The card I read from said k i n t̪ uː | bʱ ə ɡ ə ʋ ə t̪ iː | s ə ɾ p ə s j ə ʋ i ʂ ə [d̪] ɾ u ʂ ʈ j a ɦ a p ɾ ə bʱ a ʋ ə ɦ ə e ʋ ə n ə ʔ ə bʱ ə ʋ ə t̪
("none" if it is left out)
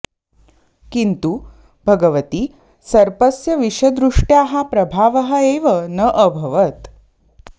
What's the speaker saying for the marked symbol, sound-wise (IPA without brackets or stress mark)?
d̪